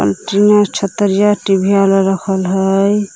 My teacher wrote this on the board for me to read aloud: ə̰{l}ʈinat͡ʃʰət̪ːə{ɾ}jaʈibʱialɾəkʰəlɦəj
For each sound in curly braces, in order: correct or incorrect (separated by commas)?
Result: correct, correct